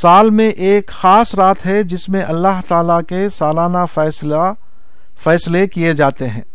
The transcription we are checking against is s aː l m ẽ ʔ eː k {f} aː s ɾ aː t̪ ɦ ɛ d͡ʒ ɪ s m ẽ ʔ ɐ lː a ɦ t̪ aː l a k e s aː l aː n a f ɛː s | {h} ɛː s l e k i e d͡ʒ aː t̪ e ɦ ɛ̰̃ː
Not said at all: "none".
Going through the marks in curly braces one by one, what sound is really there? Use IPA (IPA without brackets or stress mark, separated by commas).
x, f